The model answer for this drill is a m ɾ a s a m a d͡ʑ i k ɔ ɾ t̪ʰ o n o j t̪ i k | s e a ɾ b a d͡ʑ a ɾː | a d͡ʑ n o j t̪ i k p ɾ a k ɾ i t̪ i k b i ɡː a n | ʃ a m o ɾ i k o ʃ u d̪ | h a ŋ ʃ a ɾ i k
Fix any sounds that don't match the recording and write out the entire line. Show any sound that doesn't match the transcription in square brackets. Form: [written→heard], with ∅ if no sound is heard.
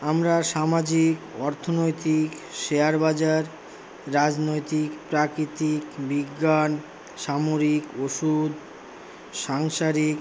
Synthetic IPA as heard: a m ɾ a [s→ʃ] a m a d͡ʑ i k ɔ ɾ t̪ʰ o n o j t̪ i k | [s→ʃ] e a ɾ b a d͡ʑ a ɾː | a d͡ʑ n o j t̪ i k p ɾ a k ɾ i t̪ i k b i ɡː a n | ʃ a m o ɾ i k o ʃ u d̪ | [h→ʃ] a ŋ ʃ a ɾ i k

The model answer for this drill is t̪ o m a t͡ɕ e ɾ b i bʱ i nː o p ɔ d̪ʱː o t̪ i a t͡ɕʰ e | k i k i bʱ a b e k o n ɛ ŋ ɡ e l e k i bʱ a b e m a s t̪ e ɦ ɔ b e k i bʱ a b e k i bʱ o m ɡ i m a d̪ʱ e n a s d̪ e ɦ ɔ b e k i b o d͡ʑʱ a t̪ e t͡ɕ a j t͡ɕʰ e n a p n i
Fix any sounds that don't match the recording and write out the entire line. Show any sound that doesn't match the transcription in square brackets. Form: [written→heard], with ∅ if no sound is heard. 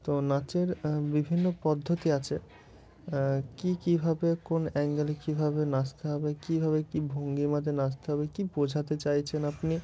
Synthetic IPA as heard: t̪ o [m→n] a t͡ɕ e ɾ b i bʱ i nː o p ɔ d̪ʱː o t̪ i a t͡ɕʰ e | k i k i bʱ a b e k o n ɛ ŋ ɡ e l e k i bʱ a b e [m→n] a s t̪ e ɦ ɔ b e k i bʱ a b e k i bʱ o [m→ŋ] ɡ i m a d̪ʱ e n a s [d̪→t̪] e ɦ ɔ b e k i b o d͡ʑʱ a t̪ e t͡ɕ a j t͡ɕʰ e n a p n i

